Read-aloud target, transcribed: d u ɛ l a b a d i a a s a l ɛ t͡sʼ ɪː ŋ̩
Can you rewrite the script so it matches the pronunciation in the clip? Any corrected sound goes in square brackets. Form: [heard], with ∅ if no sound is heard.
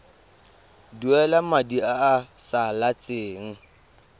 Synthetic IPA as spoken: d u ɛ l a [m] a d i a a s a l [a] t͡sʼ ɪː ŋ̩